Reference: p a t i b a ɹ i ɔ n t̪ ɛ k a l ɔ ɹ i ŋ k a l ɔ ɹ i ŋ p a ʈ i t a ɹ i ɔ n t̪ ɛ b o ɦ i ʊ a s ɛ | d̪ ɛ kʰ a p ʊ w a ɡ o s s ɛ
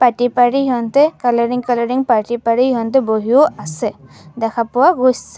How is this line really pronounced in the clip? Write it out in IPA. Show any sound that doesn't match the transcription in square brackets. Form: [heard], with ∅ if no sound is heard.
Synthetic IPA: p a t i [p] a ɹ i ɔ n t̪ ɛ k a l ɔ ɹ i ŋ k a l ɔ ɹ i ŋ p a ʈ i [p] a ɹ i ɔ n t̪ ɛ b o ɦ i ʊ a s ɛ | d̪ ɛ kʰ a p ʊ w a ɡ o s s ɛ